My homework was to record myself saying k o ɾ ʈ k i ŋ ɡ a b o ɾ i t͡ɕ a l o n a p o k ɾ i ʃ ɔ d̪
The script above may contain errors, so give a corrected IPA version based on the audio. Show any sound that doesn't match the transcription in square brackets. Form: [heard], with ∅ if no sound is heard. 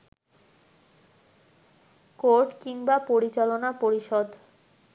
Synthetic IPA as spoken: k o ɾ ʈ k i ŋ [b] a [p] o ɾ i t͡ɕ a l o n a p o [∅] ɾ i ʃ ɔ d̪